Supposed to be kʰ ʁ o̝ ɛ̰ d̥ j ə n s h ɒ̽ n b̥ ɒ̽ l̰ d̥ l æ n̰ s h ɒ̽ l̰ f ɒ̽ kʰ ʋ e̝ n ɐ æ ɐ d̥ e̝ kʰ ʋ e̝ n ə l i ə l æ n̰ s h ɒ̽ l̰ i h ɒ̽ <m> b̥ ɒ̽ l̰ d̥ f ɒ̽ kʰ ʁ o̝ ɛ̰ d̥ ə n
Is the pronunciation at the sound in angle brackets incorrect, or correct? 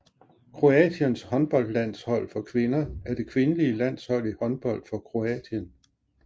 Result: incorrect